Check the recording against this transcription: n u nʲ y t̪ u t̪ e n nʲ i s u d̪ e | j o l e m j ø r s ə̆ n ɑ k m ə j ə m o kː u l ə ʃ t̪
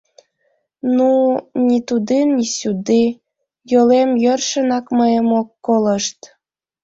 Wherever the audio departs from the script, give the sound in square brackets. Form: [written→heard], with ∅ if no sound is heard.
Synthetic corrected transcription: n u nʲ [y→i] t̪ u [t̪→d̪] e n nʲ i s u d̪ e | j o l e m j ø r [s→ʃ] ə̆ n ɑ k m ə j ə m o kː [u→o] l ə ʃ t̪